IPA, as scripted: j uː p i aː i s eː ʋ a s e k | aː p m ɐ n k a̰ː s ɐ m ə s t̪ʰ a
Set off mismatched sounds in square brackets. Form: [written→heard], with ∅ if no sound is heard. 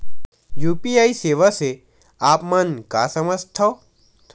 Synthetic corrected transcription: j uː p i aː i s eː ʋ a s e [k→∅] | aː p m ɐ n k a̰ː s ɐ m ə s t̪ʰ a